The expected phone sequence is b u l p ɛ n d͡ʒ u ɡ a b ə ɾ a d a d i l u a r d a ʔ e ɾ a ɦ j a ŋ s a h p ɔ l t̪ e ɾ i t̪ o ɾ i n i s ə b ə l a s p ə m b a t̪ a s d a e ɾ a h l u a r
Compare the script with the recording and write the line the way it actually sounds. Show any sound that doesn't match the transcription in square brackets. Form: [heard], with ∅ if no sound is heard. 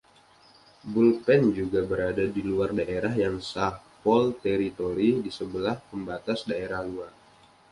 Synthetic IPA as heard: b u l p ɛ n d͡ʒ u ɡ a b ə ɾ a d a d i l u a r d a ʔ e ɾ a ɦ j a ŋ s a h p ɔ l t̪ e ɾ i t̪ o ɾ i [d] i s ə b ə l a [h] p ə m b a t̪ a s d a e ɾ a h l u a r